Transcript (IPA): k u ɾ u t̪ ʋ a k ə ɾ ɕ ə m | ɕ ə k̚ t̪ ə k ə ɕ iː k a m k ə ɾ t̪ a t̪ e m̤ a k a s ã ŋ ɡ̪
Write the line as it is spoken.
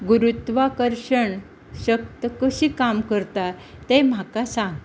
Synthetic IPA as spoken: ɡ u ɾ u t̪ ʋ a k ə ɾ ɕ ə ɳ | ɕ ə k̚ t̪ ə k ə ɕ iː k a m k ə ɾ t̪ a t̪ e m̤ a k a s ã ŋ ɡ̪